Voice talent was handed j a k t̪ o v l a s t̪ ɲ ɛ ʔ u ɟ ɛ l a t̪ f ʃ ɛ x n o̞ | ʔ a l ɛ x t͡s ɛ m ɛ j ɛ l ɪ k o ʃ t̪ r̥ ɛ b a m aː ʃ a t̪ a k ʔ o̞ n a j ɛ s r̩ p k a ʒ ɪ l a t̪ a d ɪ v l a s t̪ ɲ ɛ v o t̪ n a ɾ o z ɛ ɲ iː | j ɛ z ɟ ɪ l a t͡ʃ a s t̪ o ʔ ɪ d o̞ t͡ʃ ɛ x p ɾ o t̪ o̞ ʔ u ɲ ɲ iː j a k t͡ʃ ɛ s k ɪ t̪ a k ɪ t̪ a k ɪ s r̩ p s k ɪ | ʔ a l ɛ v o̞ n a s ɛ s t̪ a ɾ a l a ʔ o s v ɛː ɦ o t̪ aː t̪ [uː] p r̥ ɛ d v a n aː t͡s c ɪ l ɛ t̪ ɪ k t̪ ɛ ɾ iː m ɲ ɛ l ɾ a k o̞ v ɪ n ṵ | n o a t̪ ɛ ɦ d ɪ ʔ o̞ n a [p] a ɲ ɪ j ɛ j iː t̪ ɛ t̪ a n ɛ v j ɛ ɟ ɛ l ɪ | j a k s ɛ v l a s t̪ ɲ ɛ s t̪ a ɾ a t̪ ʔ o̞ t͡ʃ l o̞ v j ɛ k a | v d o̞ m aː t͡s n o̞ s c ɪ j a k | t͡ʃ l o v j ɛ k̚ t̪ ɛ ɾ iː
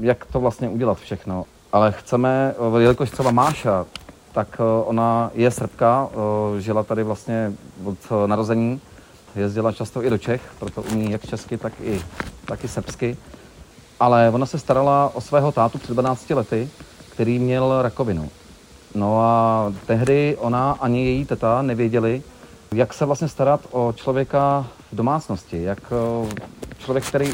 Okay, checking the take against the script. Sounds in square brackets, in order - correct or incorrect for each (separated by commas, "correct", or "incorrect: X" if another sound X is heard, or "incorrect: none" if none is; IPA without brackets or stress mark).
incorrect: u, incorrect: ʔ